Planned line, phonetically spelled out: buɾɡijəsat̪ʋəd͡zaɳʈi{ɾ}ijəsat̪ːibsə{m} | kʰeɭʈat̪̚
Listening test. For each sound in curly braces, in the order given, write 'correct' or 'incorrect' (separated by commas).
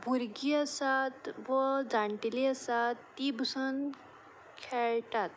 incorrect, incorrect